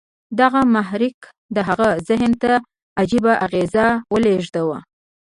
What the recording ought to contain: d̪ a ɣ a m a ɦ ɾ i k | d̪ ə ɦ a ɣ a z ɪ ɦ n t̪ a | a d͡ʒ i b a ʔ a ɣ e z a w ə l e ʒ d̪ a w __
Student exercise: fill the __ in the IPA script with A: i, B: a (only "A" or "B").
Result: B